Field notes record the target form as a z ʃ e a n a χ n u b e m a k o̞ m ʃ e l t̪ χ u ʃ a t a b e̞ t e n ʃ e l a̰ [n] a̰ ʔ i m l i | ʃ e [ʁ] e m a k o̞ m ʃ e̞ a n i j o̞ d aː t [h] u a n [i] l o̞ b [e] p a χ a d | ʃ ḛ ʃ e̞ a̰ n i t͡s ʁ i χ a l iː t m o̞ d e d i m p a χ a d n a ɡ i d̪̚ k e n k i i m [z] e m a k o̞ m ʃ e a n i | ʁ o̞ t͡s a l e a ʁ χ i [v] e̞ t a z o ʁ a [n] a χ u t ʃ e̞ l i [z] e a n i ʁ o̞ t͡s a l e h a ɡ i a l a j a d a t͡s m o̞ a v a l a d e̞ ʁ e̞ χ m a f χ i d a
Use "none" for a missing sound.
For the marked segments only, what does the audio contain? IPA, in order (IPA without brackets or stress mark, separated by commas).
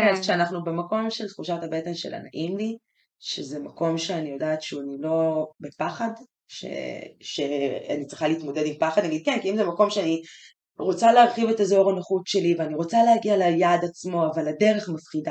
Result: n, z, ʃ, i, e, z, v, n, v